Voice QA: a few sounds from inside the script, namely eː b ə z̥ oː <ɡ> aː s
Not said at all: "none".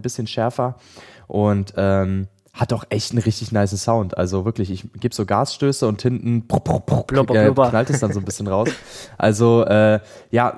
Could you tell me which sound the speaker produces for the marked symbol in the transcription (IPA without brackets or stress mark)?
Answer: ɡ